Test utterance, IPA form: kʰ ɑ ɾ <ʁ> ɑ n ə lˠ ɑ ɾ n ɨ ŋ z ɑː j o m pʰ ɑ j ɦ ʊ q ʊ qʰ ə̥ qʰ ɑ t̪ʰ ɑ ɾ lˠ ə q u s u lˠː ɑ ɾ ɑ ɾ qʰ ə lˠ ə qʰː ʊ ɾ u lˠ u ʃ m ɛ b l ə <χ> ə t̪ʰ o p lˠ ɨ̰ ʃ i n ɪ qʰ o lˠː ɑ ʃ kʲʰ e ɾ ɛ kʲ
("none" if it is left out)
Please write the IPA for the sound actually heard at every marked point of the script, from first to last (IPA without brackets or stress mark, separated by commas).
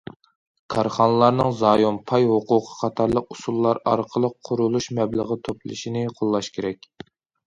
χ, ʁ